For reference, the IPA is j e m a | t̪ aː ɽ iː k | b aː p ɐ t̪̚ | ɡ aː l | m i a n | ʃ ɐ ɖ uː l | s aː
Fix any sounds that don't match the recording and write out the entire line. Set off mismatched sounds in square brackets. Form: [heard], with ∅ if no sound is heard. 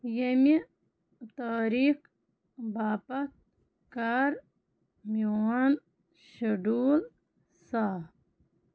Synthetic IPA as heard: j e m [i] | t̪ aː [ɾ] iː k | b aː p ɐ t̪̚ | [k] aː [ɾ] | m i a n | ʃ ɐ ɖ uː l | s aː